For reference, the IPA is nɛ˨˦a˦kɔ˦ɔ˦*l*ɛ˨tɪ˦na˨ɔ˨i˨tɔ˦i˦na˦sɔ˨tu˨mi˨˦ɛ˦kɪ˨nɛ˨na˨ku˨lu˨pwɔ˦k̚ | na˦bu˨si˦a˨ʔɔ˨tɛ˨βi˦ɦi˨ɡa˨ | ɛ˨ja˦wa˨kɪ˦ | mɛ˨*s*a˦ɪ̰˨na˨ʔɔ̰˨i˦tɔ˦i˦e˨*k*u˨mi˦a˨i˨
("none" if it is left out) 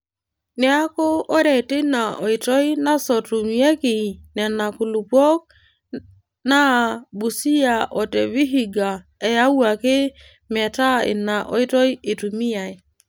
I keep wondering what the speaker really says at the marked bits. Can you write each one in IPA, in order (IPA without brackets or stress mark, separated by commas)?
ɾ, t, t